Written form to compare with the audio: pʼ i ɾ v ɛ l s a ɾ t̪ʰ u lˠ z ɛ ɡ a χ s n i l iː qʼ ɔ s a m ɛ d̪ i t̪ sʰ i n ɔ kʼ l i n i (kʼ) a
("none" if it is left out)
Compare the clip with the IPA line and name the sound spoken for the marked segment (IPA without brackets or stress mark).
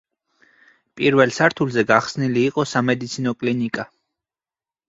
kʼ